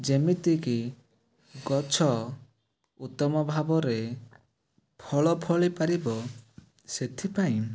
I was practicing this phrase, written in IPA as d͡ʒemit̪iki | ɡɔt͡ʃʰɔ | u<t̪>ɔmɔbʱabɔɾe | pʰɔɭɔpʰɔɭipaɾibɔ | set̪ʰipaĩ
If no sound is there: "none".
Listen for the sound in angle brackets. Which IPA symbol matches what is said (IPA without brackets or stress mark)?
t̪